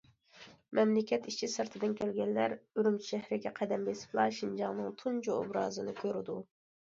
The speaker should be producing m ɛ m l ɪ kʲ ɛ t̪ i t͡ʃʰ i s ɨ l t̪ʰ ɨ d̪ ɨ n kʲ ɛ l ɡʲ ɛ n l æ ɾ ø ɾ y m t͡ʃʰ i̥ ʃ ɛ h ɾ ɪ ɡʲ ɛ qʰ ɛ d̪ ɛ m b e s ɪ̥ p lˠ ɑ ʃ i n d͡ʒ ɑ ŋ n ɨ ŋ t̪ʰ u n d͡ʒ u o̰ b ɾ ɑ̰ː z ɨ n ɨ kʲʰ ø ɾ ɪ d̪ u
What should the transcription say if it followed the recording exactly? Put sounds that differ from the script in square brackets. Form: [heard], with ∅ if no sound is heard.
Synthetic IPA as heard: m ɛ m l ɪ kʲ ɛ t̪ i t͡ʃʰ i s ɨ [ɾ] t̪ʰ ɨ d̪ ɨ n kʲ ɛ l ɡʲ ɛ n l æ ɾ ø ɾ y m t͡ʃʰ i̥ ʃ ɛ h ɾ ɪ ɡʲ ɛ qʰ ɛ d̪ ɛ m b e s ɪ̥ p lˠ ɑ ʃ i n d͡ʒ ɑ ŋ n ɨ ŋ t̪ʰ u n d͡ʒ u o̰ b ɾ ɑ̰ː z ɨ n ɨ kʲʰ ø ɾ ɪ d̪ u